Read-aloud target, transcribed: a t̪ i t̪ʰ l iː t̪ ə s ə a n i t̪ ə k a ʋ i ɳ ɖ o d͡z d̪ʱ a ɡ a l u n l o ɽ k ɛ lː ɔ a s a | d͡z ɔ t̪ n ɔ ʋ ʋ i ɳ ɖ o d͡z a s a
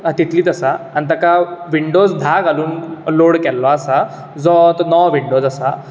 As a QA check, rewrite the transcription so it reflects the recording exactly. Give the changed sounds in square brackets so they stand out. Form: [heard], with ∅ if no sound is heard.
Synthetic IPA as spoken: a t̪ i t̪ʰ l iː t̪ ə s [a] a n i t̪ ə k a ʋ i ɳ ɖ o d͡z d̪ʱ a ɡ a l [uː] n l o ɽ k ɛ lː ɔ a s a | d͡z ɔ t̪ n ɔ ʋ ʋ i ɳ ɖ o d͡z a s a